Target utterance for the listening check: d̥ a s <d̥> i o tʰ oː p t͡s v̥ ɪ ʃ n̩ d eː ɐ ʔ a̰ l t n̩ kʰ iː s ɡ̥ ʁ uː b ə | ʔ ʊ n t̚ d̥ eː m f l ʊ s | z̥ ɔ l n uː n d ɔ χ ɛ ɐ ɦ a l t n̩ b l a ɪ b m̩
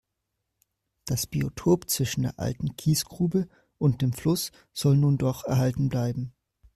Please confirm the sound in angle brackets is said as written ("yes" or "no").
no